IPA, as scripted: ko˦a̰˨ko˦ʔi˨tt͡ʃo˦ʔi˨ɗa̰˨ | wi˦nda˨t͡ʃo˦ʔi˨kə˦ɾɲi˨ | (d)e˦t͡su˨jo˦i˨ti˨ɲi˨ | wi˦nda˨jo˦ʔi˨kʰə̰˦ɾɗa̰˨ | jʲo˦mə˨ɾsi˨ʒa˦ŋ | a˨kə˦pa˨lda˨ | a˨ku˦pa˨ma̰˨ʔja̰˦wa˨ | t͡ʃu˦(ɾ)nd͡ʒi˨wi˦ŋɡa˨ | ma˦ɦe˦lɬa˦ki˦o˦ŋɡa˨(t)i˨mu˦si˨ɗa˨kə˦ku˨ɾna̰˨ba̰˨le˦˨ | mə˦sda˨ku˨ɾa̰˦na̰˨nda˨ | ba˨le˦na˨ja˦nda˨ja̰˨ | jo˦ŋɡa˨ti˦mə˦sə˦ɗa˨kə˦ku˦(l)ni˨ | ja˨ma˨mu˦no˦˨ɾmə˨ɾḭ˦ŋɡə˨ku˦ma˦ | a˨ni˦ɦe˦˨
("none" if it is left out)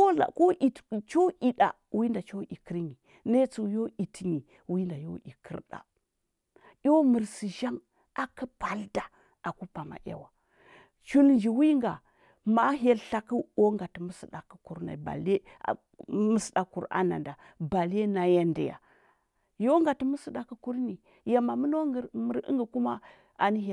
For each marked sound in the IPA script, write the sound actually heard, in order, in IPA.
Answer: n, l, t, ɾ

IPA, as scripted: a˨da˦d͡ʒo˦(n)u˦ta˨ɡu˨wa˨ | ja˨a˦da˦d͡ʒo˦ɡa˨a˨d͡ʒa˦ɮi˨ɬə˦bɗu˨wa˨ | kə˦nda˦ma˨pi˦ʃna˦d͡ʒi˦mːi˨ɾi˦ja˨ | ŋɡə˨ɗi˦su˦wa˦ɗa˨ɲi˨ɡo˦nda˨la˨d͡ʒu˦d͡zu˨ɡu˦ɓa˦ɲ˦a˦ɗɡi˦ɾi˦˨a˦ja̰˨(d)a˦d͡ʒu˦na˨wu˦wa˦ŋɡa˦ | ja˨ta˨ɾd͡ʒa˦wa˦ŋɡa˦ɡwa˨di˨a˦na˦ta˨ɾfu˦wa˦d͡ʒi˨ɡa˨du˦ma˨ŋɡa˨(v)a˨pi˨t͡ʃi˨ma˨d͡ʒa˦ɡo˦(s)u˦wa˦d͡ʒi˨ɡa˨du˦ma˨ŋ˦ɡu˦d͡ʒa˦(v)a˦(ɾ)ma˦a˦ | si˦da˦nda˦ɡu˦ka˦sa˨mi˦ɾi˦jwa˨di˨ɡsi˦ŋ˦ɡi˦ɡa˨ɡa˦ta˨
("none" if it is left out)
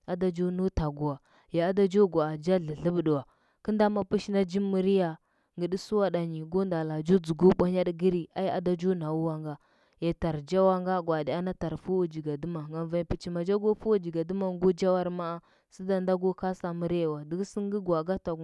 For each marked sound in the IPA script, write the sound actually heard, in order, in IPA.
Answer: n, d, v, f, w, ɾ

